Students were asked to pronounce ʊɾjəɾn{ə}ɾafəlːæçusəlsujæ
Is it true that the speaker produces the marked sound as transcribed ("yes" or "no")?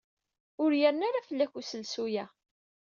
no